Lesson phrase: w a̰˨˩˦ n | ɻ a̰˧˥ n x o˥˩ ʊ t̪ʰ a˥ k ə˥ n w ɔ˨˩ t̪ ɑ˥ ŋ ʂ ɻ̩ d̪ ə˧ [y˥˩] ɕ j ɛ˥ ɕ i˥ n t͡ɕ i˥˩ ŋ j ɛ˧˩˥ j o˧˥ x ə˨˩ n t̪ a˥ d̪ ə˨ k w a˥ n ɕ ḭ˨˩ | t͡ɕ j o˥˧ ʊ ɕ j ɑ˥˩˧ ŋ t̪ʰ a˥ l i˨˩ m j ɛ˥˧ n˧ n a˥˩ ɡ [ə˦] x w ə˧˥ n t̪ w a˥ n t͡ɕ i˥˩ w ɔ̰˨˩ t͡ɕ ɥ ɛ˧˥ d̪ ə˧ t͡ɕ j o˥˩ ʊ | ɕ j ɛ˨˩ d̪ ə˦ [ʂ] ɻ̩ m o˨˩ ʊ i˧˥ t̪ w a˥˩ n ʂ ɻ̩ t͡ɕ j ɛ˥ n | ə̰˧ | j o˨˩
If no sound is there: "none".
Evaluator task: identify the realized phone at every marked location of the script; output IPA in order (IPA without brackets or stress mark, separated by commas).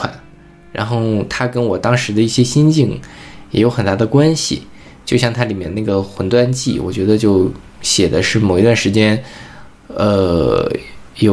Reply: i˥˩, ə˩, ʂ